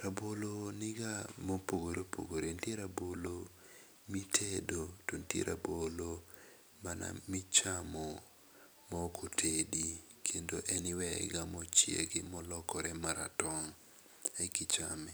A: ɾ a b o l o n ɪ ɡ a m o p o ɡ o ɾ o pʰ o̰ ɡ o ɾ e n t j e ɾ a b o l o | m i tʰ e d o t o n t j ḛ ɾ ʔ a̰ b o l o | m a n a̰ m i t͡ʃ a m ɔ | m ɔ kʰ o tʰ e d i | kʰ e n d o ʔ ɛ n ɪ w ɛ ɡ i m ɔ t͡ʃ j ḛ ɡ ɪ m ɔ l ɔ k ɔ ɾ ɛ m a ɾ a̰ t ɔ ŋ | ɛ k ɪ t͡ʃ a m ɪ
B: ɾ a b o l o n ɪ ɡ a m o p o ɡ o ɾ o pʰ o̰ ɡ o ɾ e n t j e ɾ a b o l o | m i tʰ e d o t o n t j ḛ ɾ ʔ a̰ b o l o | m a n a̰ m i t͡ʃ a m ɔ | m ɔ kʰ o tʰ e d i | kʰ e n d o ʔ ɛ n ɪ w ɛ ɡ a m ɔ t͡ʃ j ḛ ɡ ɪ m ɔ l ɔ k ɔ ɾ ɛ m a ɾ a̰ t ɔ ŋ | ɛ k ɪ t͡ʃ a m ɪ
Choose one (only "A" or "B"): B